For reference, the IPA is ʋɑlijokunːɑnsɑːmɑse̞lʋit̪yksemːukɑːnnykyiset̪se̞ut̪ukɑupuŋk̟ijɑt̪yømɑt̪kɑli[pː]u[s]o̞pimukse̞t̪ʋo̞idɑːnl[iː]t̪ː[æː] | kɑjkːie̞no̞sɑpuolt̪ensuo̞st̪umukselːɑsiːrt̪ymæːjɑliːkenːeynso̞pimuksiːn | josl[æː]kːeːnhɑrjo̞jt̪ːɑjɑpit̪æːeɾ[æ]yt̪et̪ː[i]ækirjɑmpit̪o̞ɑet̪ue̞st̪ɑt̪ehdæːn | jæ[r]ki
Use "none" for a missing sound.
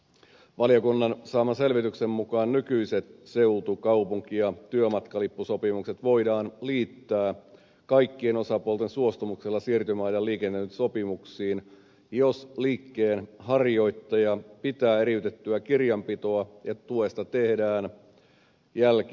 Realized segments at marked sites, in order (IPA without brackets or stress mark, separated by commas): pː, s, iː, æː, iː, i, y, l